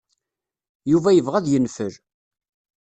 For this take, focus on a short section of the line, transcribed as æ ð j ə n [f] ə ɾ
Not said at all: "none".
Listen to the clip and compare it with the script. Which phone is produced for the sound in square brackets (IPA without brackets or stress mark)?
f